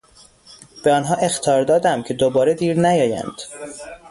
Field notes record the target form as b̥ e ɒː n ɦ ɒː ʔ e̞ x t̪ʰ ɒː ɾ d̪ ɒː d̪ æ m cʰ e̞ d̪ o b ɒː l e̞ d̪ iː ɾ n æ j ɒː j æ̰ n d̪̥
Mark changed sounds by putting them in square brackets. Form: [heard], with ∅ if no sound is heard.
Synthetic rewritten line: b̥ e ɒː n ɦ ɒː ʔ e̞ x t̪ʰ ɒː ɾ d̪ ɒː d̪ æ m cʰ e̞ d̪ o b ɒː [ɾ] e̞ d̪ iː ɾ n æ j ɒː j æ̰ n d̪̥